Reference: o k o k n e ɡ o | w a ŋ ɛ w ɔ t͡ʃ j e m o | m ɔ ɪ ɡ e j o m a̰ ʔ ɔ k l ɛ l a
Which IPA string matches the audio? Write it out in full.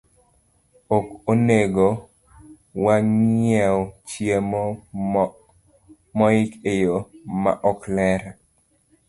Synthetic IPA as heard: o k o n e ɡ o | w a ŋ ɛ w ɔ t͡ʃ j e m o | m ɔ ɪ k e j o m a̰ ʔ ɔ k l ɛ ɾ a